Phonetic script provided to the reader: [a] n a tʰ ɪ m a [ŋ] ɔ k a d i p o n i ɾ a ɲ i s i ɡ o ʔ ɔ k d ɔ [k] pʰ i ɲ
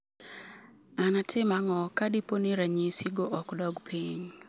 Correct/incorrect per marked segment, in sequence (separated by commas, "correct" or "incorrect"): correct, correct, incorrect